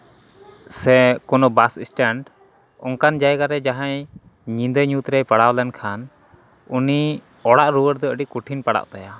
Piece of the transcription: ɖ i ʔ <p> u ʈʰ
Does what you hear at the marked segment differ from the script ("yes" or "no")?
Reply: yes